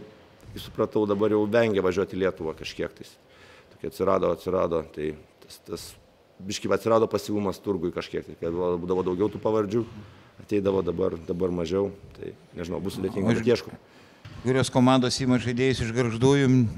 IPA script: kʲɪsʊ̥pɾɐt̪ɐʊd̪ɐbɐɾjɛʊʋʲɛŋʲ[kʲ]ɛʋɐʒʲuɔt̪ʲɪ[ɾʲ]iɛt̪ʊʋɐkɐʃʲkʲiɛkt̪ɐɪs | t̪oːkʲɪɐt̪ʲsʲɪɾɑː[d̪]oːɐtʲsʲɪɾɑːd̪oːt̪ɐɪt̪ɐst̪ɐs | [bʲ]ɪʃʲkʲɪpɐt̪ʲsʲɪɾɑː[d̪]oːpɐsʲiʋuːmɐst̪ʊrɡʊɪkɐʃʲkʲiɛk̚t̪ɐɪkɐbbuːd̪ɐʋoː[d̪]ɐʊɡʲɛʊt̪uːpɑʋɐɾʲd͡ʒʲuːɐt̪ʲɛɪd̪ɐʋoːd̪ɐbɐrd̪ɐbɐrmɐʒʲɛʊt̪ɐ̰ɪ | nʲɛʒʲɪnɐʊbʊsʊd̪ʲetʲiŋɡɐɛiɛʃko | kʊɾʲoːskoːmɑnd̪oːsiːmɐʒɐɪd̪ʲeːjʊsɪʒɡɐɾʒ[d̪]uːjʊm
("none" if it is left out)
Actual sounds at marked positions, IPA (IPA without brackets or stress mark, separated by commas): ɡʲ, lʲ, d̪, bʲ, d̪, d̪, d̪